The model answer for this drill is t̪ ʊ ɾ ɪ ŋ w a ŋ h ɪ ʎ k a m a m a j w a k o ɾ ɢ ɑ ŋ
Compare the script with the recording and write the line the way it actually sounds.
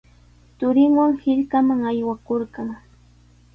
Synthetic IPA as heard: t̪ ʊ ɾ ɪ ŋ w a ŋ h ɪ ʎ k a m a ŋ a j w a k o ɾ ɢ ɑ ŋ